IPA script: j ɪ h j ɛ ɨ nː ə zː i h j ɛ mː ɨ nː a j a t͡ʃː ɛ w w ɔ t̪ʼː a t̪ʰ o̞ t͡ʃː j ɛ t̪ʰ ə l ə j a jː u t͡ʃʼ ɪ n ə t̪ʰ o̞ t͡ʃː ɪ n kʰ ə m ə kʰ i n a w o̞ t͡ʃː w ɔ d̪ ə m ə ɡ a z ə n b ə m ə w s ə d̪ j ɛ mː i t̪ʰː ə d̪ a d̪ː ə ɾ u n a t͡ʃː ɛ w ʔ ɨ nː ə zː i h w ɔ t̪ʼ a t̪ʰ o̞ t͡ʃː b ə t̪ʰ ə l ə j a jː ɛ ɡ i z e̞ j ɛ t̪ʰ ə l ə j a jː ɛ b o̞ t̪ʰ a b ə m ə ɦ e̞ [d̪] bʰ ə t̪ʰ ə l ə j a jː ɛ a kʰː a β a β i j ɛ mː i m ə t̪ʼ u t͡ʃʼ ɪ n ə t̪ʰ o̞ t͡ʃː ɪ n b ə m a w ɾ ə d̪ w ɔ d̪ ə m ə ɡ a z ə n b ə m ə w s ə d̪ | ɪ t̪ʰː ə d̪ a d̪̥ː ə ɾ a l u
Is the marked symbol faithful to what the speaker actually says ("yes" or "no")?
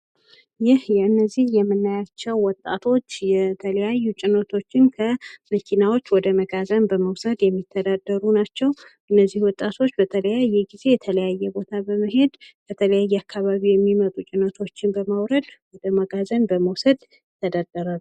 yes